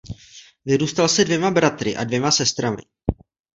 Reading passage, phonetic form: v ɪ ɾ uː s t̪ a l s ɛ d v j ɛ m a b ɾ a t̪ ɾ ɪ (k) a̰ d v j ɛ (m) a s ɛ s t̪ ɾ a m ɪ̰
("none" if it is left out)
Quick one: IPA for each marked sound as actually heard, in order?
ʔ, m

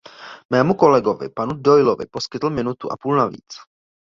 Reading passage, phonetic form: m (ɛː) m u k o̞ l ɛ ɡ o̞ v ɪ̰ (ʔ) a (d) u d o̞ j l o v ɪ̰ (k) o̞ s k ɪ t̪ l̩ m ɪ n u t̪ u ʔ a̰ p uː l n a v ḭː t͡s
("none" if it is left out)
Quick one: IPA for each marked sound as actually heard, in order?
ɛː, p, n, p

